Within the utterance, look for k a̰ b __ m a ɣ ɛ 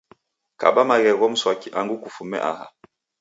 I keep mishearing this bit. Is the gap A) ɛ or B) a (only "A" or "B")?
B